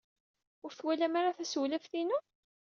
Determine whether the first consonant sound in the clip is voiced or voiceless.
voiced